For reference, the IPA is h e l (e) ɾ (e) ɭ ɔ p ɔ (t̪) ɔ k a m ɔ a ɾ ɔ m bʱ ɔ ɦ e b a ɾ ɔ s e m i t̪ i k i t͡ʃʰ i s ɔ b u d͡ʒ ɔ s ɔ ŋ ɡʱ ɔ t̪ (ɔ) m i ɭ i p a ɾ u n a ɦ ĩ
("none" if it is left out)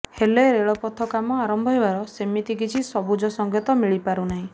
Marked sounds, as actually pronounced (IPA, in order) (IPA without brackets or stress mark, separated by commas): e, e, t̪ʰ, ɔ